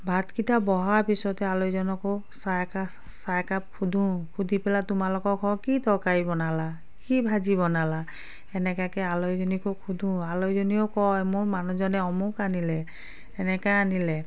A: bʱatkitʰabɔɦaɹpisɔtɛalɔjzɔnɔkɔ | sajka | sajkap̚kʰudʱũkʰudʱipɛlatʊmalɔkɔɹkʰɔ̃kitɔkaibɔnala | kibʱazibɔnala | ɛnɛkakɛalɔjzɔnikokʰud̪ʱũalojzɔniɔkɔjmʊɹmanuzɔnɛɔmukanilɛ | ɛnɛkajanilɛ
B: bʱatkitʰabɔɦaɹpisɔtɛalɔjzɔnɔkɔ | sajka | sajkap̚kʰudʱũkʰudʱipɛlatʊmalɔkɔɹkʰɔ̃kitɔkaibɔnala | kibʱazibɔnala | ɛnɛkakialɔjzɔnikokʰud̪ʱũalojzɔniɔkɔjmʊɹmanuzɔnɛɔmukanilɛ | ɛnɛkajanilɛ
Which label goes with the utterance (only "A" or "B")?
A